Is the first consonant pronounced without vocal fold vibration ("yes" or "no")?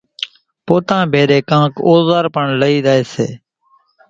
yes